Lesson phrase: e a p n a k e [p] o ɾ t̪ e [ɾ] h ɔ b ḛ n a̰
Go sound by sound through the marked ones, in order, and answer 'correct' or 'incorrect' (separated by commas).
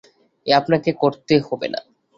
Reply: incorrect, incorrect